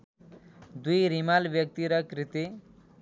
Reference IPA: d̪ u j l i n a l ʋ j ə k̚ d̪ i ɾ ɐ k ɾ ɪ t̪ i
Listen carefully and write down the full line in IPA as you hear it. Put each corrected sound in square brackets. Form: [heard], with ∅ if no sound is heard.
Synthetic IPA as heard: d̪ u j [ɾ] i [m] a l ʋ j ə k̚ [t̪] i ɾ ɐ k ɾ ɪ t̪ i